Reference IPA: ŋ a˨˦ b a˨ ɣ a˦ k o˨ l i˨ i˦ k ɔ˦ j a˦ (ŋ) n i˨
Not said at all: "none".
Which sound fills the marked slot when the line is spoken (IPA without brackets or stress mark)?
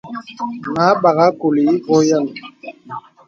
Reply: none